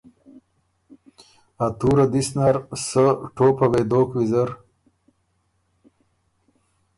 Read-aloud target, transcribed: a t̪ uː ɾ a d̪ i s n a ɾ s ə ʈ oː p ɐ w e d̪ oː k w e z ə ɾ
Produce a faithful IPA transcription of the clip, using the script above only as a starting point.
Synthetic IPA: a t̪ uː ɾ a d̪ i s n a ɾ s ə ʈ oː p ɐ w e d̪ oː k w i z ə ɾ